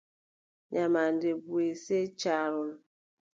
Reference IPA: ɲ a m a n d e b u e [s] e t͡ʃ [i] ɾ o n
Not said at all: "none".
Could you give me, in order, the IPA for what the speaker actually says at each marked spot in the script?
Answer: s, a

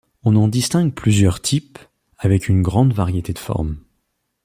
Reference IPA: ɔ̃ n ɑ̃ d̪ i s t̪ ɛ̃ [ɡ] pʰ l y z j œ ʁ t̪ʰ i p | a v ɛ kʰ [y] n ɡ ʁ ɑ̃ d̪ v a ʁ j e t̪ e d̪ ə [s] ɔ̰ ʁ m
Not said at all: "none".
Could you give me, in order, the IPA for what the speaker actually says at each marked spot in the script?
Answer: ɡ, y, f

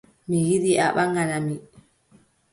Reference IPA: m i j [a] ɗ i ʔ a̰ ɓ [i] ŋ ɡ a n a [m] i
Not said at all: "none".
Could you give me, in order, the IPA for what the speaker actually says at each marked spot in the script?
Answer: i, a, m

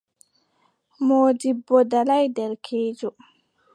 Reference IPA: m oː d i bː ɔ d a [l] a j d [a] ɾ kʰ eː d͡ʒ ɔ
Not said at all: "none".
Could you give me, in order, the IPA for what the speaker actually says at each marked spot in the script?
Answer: l, ɛ

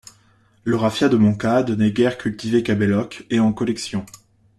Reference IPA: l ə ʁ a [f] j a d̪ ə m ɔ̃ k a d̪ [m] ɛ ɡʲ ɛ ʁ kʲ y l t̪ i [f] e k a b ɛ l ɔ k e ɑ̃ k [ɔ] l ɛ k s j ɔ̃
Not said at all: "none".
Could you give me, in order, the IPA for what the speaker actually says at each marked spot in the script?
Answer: f, n, v, ɔ

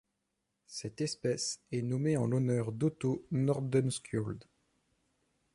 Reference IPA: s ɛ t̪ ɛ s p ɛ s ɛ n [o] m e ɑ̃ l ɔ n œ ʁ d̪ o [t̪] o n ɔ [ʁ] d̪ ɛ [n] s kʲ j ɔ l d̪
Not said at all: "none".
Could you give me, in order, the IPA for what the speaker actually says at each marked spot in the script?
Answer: ɔ, t̪, ʁ, n

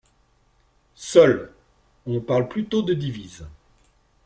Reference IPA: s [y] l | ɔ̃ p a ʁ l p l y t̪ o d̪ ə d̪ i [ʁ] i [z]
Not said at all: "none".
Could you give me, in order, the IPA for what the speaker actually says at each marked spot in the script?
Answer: œ, v, z

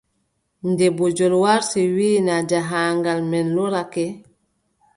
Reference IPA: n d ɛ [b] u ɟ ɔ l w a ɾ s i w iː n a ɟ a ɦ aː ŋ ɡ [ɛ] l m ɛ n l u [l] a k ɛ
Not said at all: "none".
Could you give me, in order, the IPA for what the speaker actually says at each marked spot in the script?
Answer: b, a, ɾ

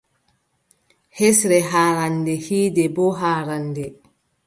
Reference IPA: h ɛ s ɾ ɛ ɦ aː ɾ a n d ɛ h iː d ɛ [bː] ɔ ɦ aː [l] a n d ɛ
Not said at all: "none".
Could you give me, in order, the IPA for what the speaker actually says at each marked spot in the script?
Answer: b, ɾ

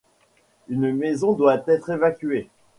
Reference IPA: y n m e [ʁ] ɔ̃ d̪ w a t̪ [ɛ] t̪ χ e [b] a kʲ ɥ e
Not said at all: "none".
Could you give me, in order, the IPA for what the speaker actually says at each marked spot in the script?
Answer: z, ɛ, v

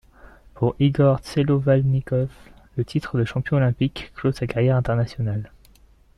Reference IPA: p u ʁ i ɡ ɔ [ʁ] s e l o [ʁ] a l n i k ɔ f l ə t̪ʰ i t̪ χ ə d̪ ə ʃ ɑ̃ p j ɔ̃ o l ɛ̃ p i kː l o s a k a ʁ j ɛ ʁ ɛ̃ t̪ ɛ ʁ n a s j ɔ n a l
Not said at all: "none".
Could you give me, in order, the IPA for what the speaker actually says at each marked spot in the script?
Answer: ʁ, v

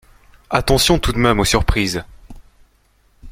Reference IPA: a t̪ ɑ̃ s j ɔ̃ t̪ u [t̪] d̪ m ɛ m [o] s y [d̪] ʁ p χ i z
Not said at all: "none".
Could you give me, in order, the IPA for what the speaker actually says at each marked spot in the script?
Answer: none, o, none

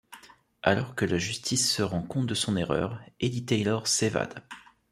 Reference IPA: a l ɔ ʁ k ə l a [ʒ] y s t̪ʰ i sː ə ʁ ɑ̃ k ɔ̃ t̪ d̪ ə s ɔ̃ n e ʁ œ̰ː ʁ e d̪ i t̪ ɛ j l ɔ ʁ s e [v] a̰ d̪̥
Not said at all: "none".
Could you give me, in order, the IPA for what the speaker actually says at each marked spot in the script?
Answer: ʒ, v

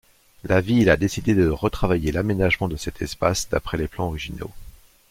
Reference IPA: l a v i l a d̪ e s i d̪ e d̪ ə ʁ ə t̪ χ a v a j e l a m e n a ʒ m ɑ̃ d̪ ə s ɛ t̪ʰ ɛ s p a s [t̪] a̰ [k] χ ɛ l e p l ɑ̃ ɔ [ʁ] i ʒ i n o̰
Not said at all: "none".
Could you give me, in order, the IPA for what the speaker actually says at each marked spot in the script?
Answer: d̪, p, ʁ

